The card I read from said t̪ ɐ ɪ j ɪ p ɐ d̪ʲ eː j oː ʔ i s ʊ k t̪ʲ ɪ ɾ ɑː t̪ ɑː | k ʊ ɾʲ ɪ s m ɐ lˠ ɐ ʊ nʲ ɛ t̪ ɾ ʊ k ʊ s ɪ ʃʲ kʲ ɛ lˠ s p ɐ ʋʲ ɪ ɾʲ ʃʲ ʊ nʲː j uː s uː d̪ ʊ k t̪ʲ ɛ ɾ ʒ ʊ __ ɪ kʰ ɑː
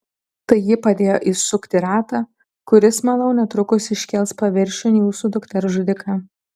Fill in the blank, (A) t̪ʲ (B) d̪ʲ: B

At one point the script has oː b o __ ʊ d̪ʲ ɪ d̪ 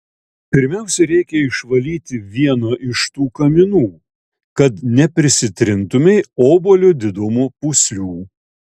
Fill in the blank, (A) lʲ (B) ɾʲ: A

